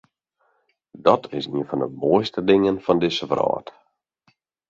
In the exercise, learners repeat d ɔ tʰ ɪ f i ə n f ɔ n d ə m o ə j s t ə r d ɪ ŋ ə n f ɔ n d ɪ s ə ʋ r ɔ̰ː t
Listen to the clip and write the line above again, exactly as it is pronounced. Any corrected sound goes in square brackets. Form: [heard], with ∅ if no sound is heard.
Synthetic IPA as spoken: d ɔ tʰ ɪ [s] i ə n f ɔ n d ə m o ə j s t ə [∅] d ɪ ŋ ə n f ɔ n d ɪ s ə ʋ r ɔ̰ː t